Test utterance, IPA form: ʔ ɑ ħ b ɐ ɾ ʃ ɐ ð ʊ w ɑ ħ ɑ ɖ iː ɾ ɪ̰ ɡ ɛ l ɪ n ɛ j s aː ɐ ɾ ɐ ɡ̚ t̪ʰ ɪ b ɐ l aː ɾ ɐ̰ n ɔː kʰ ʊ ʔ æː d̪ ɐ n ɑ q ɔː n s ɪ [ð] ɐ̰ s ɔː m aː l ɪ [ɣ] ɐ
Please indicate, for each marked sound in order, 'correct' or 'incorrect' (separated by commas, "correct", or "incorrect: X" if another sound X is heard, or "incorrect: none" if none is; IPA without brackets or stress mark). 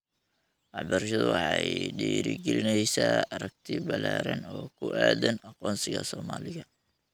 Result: incorrect: ɣ, correct